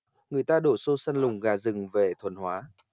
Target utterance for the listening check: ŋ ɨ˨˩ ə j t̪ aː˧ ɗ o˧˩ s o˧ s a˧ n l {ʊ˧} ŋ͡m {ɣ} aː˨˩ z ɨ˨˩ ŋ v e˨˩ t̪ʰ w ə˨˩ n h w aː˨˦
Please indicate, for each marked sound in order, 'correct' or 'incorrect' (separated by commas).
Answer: incorrect, correct